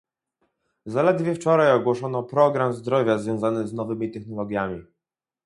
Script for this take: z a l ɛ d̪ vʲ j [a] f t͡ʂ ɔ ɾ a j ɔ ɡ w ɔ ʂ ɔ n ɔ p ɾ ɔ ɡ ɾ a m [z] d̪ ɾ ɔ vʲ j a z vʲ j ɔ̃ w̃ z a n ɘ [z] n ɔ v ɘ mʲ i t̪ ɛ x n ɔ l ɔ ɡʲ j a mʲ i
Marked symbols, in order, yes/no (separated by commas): no, yes, yes